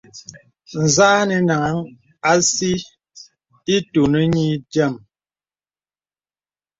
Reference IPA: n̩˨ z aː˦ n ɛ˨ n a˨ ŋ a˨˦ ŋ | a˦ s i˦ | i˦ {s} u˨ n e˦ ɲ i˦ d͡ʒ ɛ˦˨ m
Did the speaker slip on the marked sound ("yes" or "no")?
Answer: yes